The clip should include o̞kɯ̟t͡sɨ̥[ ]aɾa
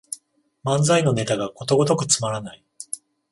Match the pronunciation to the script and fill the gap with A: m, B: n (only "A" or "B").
A